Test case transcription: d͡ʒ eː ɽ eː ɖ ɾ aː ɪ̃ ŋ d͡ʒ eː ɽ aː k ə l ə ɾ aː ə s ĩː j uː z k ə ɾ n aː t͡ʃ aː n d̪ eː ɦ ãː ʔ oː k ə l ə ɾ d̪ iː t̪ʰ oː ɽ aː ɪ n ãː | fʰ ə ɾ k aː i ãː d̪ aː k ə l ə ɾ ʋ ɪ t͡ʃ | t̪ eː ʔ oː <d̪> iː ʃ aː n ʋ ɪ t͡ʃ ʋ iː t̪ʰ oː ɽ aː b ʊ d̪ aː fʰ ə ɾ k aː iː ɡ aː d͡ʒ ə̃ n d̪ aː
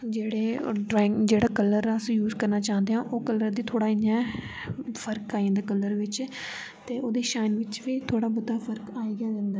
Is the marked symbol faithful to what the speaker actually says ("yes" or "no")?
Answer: yes